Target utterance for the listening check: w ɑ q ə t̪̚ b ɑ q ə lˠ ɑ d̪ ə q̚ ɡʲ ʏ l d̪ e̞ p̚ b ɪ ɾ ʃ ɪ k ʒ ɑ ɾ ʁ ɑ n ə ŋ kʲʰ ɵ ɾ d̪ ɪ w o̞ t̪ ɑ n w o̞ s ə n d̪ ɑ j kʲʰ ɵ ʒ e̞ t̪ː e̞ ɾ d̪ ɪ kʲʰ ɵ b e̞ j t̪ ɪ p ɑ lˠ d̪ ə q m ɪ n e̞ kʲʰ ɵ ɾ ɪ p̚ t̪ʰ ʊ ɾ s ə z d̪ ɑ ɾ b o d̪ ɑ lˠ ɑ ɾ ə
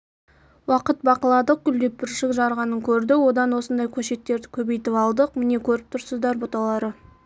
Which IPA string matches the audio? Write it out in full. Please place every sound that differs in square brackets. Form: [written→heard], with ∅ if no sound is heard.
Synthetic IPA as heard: w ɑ q ə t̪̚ b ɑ q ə lˠ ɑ d̪ ə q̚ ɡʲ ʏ l d̪ e̞ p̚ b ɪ ɾ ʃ ɪ k ʒ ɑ ɾ ʁ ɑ n ə ŋ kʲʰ ɵ ɾ d̪ ɪ w o̞ [t̪→d̪] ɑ n w o̞ s ə n d̪ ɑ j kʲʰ ɵ [ʒ→ʃ] e̞ t̪ː e̞ ɾ d̪ ɪ kʲʰ ɵ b e̞ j t̪ ɪ p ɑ lˠ d̪ ə q m ɪ n e̞ kʲʰ ɵ ɾ ɪ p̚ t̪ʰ ʊ ɾ s ə z d̪ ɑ ɾ b o [d̪→t̪] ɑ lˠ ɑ ɾ ə